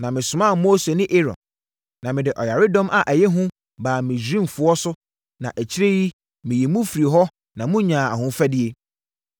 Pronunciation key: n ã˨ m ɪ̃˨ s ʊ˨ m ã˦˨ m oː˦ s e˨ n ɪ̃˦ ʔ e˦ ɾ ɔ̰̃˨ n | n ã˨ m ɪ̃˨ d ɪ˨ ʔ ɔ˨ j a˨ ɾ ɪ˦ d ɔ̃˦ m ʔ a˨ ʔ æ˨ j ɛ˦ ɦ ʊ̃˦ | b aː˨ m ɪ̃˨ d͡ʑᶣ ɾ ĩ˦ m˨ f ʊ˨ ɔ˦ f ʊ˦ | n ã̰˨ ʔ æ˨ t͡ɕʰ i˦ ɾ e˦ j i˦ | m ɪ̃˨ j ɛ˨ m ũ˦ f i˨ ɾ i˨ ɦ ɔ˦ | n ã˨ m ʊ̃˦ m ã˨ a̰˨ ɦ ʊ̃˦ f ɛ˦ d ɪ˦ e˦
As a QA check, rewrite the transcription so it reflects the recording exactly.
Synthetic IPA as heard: n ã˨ m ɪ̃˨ s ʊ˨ m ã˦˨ m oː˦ s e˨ n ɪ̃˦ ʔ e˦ ɾ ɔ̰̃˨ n | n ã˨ m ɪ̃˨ d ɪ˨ ʔ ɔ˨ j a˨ ɾ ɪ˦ d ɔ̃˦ m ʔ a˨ ʔ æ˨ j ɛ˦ ɦ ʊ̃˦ | b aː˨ m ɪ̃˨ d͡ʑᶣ ɾ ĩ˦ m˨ f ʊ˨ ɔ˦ s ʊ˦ | n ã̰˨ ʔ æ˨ t͡ɕʰ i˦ ɾ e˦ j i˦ | m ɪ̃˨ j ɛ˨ m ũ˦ f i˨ ɾ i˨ ɦ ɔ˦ | n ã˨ m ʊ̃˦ ɲ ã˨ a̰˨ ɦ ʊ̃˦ f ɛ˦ d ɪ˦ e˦